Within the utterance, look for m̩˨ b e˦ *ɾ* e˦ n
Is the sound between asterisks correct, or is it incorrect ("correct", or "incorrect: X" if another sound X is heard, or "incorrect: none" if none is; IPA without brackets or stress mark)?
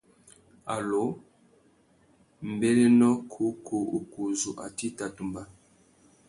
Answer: incorrect: l